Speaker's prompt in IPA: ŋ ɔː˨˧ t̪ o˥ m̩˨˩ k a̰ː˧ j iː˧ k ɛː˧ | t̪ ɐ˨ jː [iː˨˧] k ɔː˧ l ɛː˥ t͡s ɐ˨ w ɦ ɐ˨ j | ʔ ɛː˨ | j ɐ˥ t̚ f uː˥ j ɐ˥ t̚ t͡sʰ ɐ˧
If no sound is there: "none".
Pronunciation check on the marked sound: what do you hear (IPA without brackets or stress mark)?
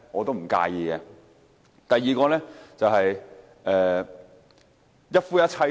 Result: iː˨˧